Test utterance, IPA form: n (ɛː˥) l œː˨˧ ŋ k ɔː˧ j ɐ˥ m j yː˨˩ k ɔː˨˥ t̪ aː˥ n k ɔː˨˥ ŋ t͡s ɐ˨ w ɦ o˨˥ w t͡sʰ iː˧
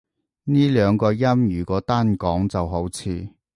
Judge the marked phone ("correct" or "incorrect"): incorrect